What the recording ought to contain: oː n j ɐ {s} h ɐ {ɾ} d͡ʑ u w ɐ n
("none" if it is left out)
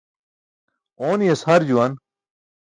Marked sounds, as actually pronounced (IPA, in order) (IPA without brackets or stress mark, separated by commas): s, ɾ